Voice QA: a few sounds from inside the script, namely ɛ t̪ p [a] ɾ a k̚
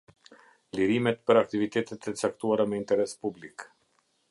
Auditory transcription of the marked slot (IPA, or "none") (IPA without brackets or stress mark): ə